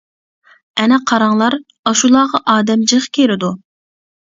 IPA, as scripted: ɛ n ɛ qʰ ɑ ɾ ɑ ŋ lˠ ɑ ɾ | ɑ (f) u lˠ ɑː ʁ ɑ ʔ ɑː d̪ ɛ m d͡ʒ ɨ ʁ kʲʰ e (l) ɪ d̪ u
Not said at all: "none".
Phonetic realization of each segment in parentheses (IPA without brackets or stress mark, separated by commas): ʃ, ɾ